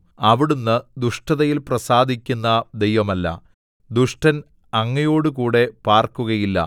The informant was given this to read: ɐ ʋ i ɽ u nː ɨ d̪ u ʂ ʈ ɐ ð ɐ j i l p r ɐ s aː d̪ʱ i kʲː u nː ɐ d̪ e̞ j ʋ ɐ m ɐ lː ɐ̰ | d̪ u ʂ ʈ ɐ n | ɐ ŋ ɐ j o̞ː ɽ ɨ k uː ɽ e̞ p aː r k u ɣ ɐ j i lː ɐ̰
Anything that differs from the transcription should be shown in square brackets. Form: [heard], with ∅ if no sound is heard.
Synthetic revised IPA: ɐ ʋ i ɽ u nː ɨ d̪ u ʂ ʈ ɐ ð ɐ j i l p r ɐ s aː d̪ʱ i kʲː u nː ɐ d̪ e̞ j ʋ ɐ m ɐ lː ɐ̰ | d̪ u ʂ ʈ ɐ n | ɐ [ŋː] ɐ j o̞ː ɽ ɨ k uː ɽ e̞ p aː r k u ɣ ɐ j i lː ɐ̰